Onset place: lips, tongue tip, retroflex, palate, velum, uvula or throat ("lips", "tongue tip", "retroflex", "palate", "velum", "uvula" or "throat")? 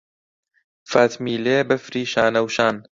lips